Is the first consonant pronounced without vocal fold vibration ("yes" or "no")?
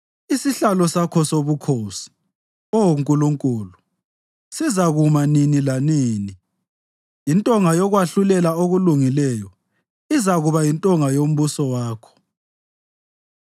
yes